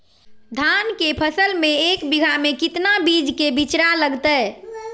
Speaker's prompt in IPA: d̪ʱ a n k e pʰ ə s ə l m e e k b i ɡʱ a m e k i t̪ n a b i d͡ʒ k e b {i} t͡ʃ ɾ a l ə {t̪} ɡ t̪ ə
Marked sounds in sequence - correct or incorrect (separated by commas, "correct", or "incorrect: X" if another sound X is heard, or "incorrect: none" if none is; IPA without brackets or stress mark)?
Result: correct, incorrect: none